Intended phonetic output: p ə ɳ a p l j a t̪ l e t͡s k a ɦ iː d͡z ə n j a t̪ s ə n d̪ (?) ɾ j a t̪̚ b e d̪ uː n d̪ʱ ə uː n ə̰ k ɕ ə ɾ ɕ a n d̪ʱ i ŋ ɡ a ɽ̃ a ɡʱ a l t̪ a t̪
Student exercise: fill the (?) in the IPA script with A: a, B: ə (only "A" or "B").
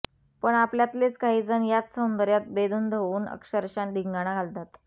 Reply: B